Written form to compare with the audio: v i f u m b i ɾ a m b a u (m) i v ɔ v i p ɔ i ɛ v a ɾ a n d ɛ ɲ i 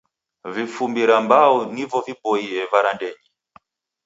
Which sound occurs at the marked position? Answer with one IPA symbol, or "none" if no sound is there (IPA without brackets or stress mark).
n